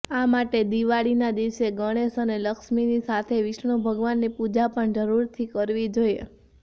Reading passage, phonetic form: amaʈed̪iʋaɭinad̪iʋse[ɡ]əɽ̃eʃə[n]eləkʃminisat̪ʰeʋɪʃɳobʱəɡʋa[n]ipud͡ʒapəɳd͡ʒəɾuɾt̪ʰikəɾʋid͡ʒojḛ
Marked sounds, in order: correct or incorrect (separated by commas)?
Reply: correct, correct, incorrect